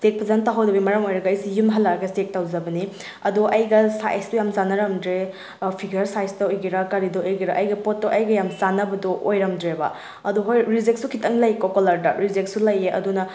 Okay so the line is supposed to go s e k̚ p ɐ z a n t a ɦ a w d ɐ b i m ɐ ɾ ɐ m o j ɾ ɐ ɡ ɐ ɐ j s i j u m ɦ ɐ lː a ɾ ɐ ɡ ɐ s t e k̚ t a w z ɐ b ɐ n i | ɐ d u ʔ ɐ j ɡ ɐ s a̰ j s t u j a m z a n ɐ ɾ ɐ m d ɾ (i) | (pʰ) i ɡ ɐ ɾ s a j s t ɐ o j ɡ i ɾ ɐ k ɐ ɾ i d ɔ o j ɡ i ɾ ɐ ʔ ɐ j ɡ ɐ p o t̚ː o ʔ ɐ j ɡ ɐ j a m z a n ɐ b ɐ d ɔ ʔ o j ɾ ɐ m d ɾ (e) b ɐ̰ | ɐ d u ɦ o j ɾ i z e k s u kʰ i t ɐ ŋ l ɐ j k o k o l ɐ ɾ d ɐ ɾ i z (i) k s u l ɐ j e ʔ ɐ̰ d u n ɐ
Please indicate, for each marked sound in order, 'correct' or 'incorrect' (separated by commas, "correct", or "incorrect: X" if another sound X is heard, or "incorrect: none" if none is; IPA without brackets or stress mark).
incorrect: e, correct, correct, incorrect: e